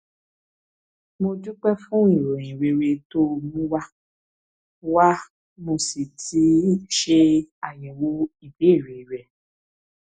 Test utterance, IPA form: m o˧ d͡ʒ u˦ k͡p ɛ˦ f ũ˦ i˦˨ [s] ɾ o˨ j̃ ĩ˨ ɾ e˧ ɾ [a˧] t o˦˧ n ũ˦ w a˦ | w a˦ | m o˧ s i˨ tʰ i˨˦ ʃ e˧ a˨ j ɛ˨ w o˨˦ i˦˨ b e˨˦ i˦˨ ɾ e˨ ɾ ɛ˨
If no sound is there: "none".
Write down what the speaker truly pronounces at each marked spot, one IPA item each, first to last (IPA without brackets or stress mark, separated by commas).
none, e˧